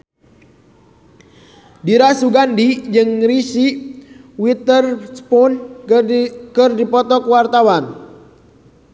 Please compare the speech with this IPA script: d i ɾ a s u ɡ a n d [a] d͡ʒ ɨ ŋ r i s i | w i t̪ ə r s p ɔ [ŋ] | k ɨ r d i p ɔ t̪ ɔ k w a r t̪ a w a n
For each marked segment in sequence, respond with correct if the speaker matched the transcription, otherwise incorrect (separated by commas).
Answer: incorrect, incorrect